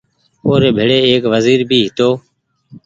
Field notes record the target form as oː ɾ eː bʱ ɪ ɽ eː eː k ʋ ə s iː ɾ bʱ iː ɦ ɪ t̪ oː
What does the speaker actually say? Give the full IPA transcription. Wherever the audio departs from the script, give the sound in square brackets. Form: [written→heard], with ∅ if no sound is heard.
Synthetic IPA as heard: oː ɾ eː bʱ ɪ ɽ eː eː k ʋ ə [s→z] iː ɾ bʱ iː ɦ ɪ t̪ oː